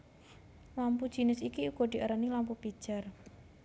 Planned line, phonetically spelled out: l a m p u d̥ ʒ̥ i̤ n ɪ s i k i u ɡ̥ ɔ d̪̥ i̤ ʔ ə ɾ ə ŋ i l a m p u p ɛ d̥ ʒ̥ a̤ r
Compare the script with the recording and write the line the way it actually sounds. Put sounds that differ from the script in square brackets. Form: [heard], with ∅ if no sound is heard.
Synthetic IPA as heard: l a m p u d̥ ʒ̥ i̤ n ɪ s i k i u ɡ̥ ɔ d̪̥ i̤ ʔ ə ɾ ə [n] i l a m p u p [i] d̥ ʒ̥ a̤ r